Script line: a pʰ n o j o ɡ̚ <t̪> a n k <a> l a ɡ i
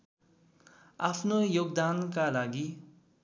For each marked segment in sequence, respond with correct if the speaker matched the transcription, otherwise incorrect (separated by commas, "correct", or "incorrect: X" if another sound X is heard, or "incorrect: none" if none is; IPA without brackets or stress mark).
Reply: incorrect: d̪, correct